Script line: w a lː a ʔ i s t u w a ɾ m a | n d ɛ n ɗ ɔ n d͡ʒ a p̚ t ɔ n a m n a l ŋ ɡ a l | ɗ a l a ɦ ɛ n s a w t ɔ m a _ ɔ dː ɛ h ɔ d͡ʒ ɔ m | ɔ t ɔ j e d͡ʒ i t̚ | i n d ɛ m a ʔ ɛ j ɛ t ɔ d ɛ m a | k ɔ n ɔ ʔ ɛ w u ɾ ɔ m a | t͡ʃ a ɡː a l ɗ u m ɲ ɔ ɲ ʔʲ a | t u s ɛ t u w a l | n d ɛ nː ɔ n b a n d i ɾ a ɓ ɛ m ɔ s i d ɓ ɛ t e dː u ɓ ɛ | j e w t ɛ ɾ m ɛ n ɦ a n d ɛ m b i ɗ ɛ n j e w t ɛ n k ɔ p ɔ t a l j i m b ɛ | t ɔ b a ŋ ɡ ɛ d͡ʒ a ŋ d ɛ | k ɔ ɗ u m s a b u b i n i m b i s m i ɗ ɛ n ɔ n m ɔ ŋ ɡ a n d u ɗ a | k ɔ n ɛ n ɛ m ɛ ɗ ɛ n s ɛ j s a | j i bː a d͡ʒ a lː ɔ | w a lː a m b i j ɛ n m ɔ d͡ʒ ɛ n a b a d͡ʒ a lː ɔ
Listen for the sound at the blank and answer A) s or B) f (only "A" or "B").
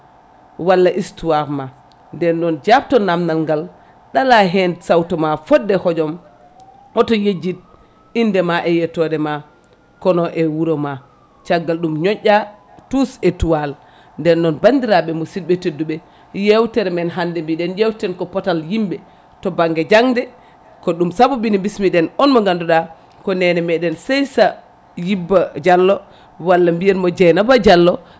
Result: B